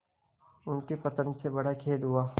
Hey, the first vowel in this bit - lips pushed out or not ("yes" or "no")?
yes